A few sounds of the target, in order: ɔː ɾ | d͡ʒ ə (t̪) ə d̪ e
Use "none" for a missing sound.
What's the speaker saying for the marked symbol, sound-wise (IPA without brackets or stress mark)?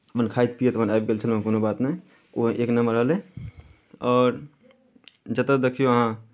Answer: t̪